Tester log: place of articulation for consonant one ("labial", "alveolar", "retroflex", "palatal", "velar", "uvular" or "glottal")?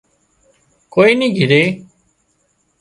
velar